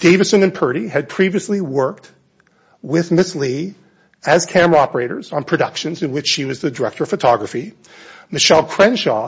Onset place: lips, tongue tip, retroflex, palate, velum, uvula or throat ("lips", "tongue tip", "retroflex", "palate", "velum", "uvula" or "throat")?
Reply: tongue tip